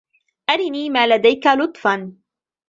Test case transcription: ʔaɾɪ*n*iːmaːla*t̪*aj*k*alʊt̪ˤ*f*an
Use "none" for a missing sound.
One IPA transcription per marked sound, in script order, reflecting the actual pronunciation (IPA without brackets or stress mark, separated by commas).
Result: n, d̪, k, f